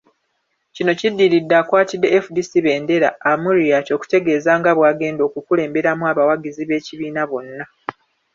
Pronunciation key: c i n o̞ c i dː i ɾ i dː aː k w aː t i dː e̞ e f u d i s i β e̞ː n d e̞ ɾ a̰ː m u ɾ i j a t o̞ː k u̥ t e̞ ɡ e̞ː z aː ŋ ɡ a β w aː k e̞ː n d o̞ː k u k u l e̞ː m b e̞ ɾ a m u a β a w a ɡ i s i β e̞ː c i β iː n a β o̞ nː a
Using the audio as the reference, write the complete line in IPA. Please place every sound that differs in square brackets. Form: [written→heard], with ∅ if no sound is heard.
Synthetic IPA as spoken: c i n o̞ c i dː i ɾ i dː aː k w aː t i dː e̞ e f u d i s i β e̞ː n d e̞ ɾ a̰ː m u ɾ i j a t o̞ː k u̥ t e̞ ɡ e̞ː z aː ŋ ɡ a β w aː [k→ɡ] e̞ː n d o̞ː k u k u l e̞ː m b e̞ ɾ a m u a β a w a ɡ i [s→z] i β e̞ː c i β iː n a β o̞ nː a